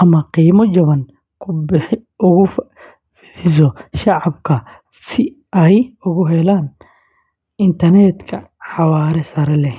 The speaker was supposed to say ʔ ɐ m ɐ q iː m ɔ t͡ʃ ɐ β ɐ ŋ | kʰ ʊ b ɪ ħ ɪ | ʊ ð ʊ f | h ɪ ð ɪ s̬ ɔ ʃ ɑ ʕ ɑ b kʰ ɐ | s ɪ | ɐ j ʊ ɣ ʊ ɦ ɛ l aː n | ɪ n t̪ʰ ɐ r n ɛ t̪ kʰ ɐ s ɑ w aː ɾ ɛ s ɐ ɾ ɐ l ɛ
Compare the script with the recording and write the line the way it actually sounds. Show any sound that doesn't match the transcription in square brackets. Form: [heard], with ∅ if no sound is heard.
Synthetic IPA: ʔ ɐ m ɐ q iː m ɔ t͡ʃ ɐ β ɐ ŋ | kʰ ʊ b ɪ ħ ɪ | ʊ [ɣ] ʊ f | [f] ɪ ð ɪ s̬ ɔ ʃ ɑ ʕ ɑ b kʰ ɐ | s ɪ | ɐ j ʊ ɣ ʊ ɦ ɛ l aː n | ɪ n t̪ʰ ɐ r n ɛ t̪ kʰ ɐ [ħ] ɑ w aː ɾ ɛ s ɐ ɾ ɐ l ɛ